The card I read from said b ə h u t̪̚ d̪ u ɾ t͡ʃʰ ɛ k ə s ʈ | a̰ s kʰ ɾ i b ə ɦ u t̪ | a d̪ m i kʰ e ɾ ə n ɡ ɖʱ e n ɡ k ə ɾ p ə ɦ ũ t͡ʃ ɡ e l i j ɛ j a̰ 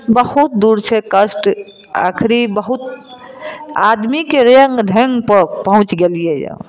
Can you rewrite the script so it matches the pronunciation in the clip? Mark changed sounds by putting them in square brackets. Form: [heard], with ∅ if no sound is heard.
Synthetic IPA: b ə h u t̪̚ d̪ u ɾ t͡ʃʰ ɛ k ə s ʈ | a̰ [∅] kʰ ɾ i b ə ɦ u t̪ | a d̪ m i [k] e ɾ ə [ŋ] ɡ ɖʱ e [ŋ] ɡ [p] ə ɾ p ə ɦ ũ t͡ʃ ɡ e l i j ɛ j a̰